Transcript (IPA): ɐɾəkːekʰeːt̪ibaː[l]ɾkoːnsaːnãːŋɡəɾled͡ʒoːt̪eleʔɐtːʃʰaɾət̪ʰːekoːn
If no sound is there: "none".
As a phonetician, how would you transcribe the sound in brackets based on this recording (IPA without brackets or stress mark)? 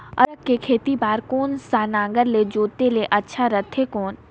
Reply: none